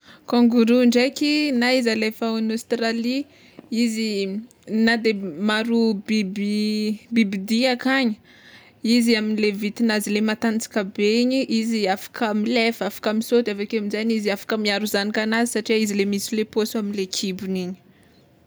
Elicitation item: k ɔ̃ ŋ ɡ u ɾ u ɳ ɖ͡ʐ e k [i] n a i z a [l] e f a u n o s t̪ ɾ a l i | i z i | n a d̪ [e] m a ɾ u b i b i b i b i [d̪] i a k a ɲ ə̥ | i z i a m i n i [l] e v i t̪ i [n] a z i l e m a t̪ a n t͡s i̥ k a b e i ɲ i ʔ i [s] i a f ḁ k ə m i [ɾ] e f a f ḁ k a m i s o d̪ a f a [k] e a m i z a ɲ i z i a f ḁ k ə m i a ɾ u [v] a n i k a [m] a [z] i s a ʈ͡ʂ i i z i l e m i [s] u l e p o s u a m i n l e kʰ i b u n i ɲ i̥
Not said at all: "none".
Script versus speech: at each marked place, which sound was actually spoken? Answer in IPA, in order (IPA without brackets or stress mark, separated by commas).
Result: i, l, e, d̪, l, n, z, l, k, z, n, z, s